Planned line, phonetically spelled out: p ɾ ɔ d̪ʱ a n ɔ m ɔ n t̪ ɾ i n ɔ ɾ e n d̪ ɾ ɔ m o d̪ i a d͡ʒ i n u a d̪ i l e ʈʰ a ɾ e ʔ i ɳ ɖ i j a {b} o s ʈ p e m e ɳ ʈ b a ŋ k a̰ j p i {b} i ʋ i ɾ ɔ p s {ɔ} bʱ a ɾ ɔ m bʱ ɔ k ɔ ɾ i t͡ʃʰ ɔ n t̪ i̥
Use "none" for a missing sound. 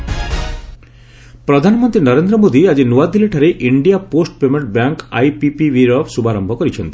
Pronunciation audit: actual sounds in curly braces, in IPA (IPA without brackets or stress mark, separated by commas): p, p, u